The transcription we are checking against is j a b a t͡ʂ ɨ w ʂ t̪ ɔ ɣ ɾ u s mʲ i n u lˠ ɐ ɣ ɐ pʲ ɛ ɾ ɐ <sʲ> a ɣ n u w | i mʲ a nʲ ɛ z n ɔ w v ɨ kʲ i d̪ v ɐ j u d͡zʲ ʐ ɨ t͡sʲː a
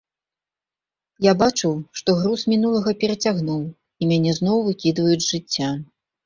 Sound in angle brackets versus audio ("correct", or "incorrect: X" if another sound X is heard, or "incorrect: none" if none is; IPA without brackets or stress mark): incorrect: t͡sʲ